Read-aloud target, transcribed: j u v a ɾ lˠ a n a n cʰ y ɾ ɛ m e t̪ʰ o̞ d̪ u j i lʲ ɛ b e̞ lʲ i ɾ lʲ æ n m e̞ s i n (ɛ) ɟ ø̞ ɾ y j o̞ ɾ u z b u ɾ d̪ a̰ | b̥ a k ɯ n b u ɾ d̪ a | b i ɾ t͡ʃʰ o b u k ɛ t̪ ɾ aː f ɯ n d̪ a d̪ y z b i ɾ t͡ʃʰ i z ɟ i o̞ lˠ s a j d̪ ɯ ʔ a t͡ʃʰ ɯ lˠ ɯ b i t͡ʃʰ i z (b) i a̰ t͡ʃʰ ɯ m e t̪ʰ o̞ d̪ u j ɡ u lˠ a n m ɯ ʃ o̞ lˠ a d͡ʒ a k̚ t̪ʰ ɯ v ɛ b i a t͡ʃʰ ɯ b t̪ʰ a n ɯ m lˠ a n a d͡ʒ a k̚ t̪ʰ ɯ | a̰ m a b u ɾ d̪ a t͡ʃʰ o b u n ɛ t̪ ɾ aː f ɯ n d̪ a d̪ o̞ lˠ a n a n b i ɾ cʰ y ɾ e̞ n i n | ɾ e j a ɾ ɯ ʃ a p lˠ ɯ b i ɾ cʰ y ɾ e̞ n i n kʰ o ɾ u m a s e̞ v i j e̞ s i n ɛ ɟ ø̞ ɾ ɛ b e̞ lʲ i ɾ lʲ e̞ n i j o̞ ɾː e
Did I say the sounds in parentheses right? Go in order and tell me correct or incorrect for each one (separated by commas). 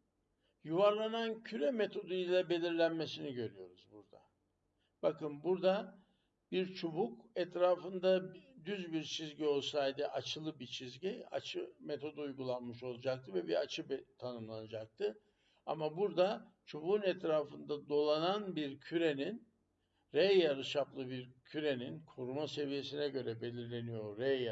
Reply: incorrect, incorrect